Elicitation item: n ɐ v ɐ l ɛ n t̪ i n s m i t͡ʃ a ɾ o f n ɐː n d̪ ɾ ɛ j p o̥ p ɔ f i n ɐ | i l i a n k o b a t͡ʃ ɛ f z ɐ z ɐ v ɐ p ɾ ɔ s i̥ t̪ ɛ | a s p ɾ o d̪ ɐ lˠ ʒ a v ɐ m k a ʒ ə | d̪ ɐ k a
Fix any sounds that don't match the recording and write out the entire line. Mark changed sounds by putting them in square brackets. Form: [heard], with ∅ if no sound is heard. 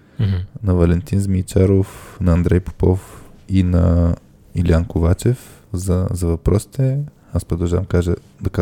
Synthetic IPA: n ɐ v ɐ l ɛ n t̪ i n [z] m i t͡ʃ a ɾ o f n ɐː n d̪ ɾ ɛ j p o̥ p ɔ f i n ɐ | i l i a n k o [v] a t͡ʃ ɛ f z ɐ z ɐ v ɐ p ɾ ɔ s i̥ t̪ ɛ | a s p ɾ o d̪ ɐ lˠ ʒ a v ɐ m k a ʒ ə | d̪ ɐ k a